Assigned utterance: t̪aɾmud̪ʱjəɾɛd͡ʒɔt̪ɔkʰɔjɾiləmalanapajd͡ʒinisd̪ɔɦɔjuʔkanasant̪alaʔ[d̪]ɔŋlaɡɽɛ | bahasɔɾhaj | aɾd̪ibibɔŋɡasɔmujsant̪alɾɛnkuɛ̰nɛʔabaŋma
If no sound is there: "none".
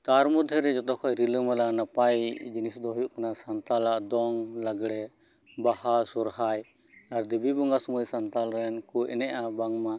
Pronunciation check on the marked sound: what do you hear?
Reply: d̪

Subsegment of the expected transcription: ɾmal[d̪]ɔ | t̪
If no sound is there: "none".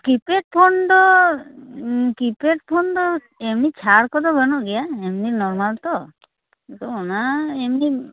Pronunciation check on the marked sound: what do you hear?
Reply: t̪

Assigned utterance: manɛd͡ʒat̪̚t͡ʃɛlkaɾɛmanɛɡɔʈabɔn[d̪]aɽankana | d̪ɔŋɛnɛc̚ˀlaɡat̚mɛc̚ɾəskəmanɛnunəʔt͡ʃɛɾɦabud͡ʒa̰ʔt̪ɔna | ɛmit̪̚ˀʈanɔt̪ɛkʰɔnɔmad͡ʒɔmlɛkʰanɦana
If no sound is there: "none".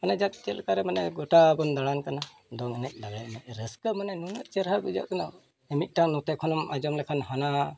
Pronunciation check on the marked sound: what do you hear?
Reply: d̪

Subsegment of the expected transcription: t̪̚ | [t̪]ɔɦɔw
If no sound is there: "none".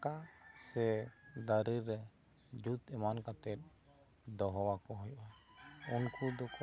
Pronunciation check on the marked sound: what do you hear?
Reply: d̪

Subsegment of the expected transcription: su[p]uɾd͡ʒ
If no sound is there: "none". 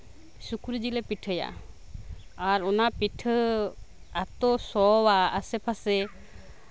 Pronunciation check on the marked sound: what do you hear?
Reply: k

